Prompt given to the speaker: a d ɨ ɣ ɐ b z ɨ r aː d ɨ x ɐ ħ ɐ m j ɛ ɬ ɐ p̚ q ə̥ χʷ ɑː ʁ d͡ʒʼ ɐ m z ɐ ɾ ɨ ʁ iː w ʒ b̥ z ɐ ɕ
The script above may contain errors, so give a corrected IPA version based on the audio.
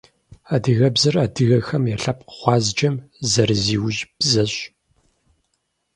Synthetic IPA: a d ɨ ɣ ɐ b z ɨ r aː d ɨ ɣ ɐ x ɐ m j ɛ ɬ ɐ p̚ q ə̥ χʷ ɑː z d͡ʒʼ ɐ m z ɐ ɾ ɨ z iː w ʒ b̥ z ɐ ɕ